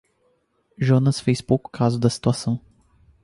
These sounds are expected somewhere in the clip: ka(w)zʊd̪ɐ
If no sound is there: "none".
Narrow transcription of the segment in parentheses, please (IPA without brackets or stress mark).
none